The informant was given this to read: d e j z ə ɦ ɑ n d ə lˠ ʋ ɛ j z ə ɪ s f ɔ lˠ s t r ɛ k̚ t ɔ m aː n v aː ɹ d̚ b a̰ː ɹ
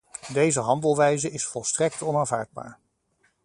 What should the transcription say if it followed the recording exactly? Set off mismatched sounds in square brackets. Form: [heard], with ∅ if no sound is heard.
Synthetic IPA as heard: d e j z ə ɦ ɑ n d ə lˠ ʋ ɛ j z ə ɪ s f ɔ lˠ s t r ɛ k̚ t ɔ [n] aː n v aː ɹ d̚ b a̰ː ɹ